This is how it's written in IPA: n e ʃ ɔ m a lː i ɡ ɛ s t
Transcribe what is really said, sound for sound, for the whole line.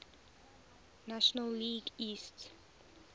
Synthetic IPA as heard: n a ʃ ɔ n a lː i ɡ i s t